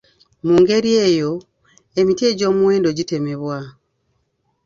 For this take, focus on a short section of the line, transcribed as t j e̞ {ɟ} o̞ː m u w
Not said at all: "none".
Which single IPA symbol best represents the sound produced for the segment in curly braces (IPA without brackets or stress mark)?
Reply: ɟ